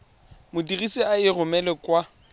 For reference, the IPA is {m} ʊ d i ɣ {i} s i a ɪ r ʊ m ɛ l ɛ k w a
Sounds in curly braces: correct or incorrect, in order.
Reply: correct, correct

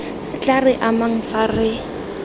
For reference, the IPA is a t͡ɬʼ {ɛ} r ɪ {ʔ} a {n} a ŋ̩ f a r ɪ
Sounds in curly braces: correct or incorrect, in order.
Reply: incorrect, correct, incorrect

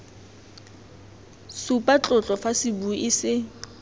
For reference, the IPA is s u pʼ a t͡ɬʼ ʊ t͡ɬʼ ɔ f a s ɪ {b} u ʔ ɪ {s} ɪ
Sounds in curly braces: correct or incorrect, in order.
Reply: correct, correct

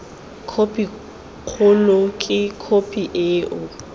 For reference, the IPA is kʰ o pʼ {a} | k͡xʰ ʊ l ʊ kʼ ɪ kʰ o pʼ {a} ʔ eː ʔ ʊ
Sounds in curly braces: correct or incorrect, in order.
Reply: incorrect, incorrect

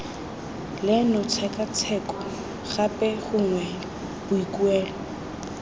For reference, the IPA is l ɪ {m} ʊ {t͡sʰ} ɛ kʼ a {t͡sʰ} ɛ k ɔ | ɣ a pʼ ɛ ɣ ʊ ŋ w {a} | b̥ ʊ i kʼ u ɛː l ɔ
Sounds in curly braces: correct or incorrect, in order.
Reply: incorrect, correct, correct, incorrect

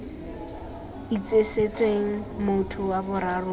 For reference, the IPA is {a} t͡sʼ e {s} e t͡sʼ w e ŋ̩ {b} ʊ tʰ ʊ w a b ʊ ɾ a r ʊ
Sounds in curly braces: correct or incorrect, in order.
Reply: incorrect, correct, incorrect

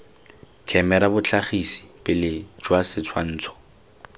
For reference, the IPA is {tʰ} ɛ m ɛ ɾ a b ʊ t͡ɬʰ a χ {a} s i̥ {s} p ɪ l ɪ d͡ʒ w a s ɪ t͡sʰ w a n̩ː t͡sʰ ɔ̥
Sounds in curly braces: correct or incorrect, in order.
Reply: incorrect, incorrect, incorrect

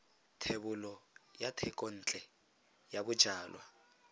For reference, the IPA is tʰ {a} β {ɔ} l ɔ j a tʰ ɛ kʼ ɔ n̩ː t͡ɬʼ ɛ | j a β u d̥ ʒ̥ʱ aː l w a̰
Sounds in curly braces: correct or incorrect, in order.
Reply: incorrect, incorrect

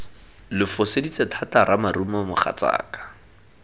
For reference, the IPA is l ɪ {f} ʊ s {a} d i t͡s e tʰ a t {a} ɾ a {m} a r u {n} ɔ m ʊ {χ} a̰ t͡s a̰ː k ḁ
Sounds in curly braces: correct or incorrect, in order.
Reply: correct, incorrect, correct, correct, incorrect, correct

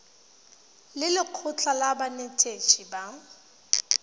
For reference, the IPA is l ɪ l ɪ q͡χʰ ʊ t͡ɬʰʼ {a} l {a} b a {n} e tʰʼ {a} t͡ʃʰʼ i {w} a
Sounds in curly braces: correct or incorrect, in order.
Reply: correct, correct, correct, incorrect, incorrect

